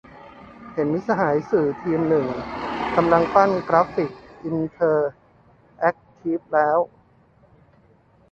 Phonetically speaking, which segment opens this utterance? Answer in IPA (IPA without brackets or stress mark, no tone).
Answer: h